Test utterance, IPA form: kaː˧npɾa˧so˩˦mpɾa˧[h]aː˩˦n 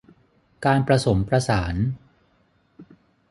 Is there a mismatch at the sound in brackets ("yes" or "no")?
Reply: yes